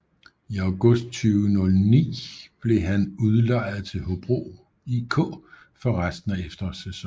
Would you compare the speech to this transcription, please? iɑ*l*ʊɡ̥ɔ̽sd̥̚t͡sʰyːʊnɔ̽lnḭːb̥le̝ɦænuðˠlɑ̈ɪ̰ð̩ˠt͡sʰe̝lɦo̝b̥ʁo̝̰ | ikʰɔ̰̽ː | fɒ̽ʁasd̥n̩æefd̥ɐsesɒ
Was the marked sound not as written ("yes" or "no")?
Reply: yes